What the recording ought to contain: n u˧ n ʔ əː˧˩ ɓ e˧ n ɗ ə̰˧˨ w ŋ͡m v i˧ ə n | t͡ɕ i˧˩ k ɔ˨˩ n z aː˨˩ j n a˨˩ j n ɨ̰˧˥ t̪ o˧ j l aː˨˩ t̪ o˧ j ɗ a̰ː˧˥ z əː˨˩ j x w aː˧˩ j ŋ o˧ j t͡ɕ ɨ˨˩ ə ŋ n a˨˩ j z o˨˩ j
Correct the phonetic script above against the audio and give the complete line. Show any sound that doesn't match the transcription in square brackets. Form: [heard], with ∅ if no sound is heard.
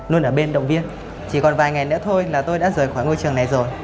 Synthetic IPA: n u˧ n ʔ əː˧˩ ɓ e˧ n ɗ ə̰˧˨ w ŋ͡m v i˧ ə n | t͡ɕ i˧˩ k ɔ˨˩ n [v] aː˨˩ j [ŋ] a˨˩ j n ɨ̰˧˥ [t̪ʰ] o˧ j l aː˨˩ t̪ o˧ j ɗ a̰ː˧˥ z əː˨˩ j x w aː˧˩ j ŋ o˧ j t͡ɕ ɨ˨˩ ə ŋ n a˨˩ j z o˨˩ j

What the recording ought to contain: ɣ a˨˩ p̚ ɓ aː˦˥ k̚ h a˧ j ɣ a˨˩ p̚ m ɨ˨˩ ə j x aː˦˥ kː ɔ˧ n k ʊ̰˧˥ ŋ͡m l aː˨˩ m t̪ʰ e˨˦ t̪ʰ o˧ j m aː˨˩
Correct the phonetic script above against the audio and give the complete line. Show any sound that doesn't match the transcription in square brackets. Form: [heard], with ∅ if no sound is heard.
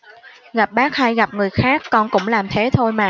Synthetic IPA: ɣ a˨˩ p̚ ɓ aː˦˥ k̚ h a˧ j ɣ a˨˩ p̚ [ŋ] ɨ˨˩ ə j x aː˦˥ kː ɔ˧ n k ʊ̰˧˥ ŋ͡m l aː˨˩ m t̪ʰ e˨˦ t̪ʰ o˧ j m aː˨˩

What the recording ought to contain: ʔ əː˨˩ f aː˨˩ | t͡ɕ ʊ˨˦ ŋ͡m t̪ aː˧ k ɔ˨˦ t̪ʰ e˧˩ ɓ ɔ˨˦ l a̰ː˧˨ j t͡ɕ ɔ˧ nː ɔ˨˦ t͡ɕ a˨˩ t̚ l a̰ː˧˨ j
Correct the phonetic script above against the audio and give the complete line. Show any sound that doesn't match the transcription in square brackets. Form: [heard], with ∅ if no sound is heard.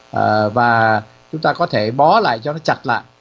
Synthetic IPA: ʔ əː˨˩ [v] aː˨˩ | t͡ɕ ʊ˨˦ ŋ͡m t̪ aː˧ k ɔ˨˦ t̪ʰ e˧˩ ɓ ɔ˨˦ l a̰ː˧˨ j t͡ɕ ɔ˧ [n] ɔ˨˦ t͡ɕ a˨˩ t̚ l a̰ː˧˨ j

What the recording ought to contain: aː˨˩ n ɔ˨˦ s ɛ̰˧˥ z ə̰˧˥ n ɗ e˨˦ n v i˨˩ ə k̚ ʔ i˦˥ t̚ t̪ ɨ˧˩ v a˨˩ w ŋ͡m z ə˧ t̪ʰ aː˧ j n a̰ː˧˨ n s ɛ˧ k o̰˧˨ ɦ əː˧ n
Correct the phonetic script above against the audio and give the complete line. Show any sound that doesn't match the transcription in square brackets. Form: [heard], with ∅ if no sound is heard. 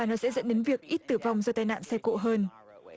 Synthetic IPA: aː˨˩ n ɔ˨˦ s ɛ̰˧˥ z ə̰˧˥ n ɗ e˨˦ n v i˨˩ ə k̚ ʔ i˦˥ t̚ t̪ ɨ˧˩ v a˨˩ w ŋ͡m z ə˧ [t̪] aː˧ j n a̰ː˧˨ n s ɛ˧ k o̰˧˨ ɦ əː˧ n

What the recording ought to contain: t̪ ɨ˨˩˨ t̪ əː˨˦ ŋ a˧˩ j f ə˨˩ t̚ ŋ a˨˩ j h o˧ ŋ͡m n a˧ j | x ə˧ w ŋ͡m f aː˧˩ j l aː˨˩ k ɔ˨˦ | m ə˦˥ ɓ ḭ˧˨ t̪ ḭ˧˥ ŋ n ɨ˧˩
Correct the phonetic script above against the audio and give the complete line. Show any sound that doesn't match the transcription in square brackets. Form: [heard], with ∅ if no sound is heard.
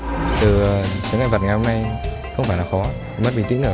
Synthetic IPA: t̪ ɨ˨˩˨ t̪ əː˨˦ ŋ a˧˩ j [v] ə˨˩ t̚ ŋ a˨˩ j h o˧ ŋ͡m n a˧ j | x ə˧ w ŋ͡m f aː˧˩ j l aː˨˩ [x] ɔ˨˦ | m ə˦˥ ɓ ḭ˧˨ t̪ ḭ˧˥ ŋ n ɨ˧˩

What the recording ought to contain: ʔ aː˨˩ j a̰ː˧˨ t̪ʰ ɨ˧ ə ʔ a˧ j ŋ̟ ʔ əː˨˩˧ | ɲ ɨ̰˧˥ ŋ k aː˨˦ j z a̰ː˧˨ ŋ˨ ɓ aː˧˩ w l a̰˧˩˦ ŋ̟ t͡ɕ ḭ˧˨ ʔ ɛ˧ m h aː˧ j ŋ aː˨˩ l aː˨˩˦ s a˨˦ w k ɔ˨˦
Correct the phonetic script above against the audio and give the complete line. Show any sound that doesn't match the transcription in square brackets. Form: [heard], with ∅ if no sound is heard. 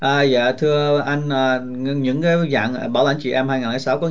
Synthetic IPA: ʔ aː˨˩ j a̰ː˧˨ t̪ʰ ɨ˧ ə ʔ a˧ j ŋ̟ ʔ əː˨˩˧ | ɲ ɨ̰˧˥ ŋ k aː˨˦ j z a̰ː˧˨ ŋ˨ ɓ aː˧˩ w l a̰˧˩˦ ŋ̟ t͡ɕ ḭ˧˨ ʔ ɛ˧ m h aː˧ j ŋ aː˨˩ l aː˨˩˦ s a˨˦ w k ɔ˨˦

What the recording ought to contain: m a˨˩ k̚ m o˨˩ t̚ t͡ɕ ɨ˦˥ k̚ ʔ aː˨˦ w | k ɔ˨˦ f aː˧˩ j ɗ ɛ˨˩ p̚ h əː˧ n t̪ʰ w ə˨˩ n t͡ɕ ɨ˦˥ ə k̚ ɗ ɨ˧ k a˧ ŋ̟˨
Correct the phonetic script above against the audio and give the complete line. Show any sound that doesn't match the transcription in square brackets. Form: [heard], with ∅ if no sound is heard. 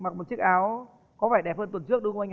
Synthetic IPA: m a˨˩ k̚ m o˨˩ t̚ t͡ɕ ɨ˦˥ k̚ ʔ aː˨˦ w | k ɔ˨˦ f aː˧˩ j ɗ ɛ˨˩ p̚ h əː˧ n [t̪] w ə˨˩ n t͡ɕ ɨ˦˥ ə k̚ ɗ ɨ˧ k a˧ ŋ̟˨

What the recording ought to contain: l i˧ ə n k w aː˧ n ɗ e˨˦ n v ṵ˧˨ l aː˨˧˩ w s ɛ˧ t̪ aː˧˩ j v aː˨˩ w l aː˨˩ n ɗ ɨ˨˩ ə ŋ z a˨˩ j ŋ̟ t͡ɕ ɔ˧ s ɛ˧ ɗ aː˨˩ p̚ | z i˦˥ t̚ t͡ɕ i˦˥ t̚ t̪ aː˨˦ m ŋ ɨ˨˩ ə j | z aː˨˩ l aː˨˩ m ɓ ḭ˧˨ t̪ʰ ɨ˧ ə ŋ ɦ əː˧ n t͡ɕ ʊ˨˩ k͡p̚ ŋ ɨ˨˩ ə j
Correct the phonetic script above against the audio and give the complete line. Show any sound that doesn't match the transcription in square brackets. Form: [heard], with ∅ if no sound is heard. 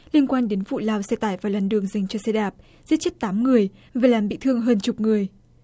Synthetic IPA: l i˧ ə n k w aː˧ n ɗ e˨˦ n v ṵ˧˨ l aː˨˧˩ w s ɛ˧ t̪ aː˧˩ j v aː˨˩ w l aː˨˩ n ɗ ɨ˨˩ ə ŋ z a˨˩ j ŋ̟ t͡ɕ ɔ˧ s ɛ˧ ɗ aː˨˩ p̚ | z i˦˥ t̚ t͡ɕ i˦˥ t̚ t̪ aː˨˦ m ŋ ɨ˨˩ ə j | [v] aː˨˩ l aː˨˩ m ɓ ḭ˧˨ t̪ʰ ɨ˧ ə ŋ ɦ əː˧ n t͡ɕ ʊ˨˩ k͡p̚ ŋ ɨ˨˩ ə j

